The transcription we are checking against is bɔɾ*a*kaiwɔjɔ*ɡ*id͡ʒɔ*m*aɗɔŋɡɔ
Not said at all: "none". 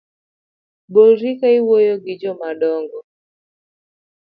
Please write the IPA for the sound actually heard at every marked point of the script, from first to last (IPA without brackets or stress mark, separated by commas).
i, ɡ, m